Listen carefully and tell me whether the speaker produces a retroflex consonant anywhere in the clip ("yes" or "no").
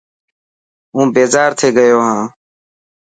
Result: no